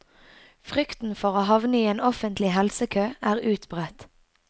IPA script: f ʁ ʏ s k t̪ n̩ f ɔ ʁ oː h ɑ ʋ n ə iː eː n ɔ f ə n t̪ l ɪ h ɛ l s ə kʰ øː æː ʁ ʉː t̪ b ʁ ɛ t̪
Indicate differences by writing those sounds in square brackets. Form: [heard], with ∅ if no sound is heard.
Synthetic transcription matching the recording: f ʁ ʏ [∅] k t̪ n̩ f ɔ ʁ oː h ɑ ʋ n ə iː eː n ɔ f ə n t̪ l ɪ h ɛ l s ə kʰ øː æː ʁ ʉː t̪ b ʁ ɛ t̪